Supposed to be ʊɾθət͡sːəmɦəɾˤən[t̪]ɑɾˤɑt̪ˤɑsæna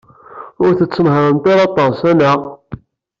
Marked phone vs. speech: correct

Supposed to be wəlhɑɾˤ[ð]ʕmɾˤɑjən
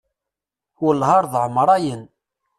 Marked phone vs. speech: correct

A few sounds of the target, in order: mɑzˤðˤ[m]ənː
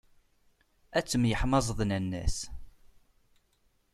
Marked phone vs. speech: incorrect: n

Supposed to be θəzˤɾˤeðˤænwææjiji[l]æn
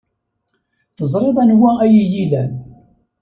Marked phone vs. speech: correct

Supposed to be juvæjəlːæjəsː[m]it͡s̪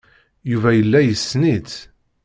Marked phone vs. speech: incorrect: n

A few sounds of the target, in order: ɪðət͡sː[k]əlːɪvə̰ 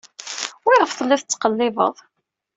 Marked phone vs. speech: incorrect: q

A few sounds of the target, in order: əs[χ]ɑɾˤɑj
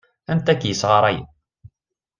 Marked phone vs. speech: incorrect: ʁ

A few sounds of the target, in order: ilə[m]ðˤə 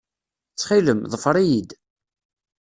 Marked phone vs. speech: correct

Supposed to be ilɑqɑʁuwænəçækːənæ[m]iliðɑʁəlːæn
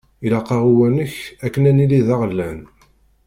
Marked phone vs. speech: incorrect: n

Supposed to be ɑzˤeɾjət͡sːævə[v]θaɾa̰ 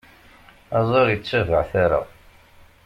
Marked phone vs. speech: incorrect: ʕ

